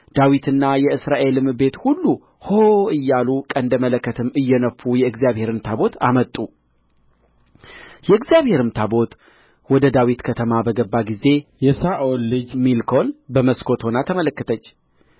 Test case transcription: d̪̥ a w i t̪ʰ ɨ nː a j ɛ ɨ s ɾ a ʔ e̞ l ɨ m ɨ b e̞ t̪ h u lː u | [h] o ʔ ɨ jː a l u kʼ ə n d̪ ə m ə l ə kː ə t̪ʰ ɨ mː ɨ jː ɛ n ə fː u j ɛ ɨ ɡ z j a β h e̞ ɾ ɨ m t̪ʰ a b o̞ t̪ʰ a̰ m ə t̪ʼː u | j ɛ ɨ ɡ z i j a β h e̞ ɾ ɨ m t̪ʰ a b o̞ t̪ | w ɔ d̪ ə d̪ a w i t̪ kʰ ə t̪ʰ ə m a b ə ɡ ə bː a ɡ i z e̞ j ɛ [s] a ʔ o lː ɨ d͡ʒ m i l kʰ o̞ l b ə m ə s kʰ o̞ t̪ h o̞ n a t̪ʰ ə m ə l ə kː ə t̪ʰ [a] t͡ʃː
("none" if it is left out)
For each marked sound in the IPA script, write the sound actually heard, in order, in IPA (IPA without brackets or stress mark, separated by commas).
h, s, ə